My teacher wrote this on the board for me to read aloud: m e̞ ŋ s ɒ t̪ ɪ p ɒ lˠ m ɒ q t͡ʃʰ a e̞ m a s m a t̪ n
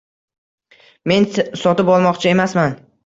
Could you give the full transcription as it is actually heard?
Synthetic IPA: m e̞ n s ɒ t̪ ɪ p ɒ lˠ m ɒ q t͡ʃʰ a e̞ m a s m a n